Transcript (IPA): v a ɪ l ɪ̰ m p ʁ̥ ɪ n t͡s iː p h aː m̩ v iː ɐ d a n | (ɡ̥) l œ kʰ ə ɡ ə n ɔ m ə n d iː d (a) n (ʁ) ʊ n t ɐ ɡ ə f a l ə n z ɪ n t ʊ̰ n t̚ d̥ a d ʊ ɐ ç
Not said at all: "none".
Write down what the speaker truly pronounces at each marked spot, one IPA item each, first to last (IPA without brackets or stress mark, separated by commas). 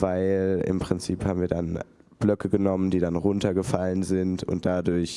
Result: b̥, a, ʁ